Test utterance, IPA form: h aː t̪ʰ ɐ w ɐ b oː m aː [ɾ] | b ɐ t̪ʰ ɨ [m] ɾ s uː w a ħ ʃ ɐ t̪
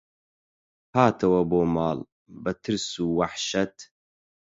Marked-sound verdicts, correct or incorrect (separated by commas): incorrect, incorrect